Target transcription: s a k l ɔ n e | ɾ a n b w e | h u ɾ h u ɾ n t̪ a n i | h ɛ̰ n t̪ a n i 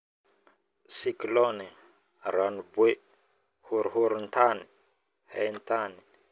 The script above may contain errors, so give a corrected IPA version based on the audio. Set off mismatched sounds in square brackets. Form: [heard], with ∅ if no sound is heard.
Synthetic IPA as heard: s [i] k l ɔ n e | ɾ a n b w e | h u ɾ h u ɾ n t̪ a n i | h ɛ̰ n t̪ a n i

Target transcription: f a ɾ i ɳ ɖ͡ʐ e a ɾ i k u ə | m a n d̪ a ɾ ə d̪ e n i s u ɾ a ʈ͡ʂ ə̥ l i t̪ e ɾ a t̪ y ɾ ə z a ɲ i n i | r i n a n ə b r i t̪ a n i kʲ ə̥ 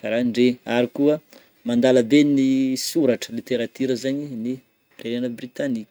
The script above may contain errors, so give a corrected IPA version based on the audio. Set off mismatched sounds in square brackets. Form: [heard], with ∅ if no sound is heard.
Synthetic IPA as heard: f a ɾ [a] ɳ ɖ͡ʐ e a ɾ i k u ə | m a n d̪ a [l] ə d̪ e n i s u ɾ a ʈ͡ʂ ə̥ l i t̪ e ɾ a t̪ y ɾ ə z a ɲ i n i | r [e] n a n ə b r i t̪ a n i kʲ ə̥

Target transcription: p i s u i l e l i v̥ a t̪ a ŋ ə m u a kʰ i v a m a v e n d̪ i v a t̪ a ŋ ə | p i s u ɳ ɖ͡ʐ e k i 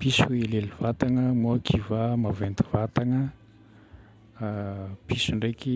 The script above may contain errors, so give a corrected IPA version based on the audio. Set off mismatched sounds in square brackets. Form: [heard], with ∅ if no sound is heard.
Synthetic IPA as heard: p i s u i l e l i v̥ a t̪ a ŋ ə m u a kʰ i v a m a v e n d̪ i v a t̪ a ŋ ə | p i s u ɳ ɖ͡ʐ e k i

